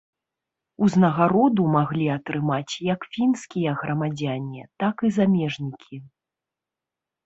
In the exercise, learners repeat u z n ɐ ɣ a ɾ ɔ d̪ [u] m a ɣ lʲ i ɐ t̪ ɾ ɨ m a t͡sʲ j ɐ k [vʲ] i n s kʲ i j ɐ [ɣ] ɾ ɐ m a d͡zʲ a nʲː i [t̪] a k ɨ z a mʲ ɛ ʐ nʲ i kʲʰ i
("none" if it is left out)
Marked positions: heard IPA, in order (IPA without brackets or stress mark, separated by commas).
u, fʲ, ɣ, t̪